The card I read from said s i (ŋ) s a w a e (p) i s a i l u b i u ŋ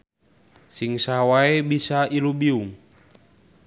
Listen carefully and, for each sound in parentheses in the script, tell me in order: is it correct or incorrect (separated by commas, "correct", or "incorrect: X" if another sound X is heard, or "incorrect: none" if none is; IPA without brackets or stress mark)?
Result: correct, incorrect: b